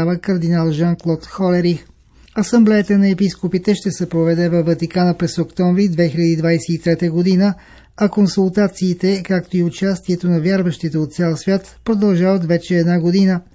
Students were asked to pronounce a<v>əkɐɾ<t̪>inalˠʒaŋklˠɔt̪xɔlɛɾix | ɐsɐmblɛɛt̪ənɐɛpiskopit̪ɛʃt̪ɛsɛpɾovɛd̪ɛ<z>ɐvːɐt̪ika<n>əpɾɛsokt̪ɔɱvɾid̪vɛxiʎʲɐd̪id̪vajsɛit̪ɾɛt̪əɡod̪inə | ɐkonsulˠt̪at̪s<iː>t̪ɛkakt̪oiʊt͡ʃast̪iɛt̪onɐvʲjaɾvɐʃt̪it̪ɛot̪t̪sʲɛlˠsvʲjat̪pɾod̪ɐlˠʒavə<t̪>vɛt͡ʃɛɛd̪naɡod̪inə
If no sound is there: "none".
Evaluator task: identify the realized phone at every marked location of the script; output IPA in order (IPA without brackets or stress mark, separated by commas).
v, d̪, v, n, iː, t̪